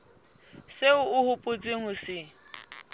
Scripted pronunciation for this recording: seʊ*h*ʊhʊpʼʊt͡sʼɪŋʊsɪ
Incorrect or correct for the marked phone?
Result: incorrect: none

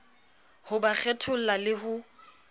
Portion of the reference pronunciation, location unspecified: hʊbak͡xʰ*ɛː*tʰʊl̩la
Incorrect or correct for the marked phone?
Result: incorrect: ɛ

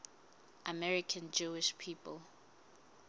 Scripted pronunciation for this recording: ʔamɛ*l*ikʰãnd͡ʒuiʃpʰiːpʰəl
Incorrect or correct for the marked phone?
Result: incorrect: ɹ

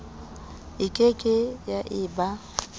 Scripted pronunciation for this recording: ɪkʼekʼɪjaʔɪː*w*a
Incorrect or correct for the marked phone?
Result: incorrect: b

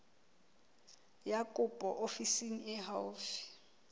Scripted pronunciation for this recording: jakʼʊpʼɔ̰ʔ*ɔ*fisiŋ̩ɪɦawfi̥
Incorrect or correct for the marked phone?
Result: incorrect: o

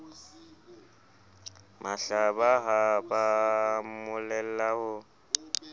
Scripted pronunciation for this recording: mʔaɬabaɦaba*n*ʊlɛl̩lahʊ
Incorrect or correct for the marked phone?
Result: incorrect: m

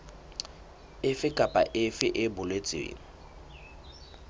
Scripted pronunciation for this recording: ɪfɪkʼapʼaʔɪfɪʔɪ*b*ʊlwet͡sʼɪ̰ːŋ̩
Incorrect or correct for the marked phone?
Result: correct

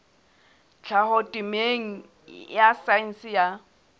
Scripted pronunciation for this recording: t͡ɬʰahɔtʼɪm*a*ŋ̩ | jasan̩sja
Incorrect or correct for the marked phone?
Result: incorrect: e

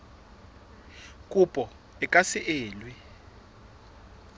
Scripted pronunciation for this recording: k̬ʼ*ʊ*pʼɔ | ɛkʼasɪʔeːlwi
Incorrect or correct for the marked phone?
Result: incorrect: u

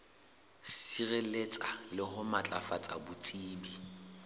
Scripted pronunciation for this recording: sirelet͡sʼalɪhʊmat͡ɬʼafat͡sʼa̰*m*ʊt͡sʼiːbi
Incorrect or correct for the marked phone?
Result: incorrect: b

